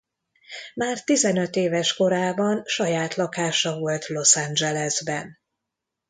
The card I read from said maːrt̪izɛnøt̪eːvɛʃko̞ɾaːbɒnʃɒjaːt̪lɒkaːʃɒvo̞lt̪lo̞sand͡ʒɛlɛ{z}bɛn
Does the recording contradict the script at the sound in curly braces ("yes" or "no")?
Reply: no